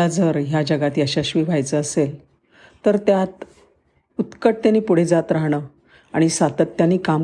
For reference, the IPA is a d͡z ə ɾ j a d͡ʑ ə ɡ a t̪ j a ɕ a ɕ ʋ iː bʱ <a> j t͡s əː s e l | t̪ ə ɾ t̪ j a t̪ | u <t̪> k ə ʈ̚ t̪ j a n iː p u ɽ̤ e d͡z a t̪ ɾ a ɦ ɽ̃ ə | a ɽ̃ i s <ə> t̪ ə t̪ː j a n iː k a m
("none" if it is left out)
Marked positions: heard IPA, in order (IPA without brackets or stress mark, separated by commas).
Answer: a, t̪, a